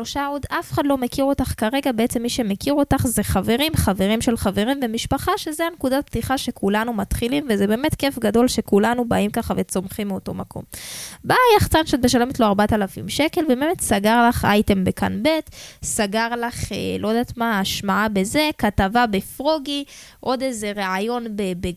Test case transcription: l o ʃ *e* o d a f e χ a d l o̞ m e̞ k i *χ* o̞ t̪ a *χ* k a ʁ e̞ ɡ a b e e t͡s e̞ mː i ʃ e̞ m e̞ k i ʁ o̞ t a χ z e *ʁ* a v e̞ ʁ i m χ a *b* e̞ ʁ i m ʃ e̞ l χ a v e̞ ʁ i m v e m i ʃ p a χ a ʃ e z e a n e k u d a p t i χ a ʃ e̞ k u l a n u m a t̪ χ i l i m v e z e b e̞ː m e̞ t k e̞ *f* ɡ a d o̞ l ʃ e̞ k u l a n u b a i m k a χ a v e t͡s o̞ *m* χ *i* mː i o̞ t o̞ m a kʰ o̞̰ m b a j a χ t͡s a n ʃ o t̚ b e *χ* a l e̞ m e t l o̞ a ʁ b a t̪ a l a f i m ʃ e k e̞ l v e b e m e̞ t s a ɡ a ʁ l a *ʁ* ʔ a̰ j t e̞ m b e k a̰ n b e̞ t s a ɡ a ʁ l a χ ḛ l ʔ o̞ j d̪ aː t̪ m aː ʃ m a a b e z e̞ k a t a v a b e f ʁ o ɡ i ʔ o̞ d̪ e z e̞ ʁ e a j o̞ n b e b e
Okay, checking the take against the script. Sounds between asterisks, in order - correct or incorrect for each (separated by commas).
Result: incorrect, incorrect, correct, incorrect, incorrect, correct, correct, correct, incorrect, incorrect